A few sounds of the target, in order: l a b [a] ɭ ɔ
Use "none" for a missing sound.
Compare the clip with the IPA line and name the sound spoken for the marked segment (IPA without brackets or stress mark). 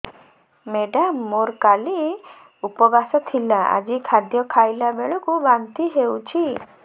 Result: e